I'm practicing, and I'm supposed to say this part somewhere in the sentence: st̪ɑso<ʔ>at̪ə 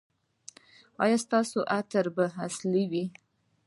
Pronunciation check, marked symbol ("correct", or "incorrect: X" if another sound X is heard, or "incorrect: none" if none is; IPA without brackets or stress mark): correct